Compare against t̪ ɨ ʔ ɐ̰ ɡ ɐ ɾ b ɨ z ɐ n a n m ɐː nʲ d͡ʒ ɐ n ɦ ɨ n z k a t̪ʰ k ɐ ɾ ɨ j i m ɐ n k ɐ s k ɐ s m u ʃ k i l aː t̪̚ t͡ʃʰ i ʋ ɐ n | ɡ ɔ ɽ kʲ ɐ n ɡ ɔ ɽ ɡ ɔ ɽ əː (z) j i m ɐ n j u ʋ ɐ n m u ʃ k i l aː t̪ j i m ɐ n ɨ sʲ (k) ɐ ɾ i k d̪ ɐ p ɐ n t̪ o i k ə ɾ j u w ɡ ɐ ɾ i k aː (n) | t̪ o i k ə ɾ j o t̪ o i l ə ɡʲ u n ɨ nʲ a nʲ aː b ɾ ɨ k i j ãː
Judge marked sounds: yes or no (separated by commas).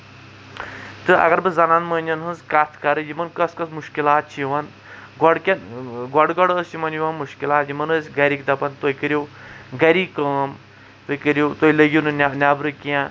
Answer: no, no, no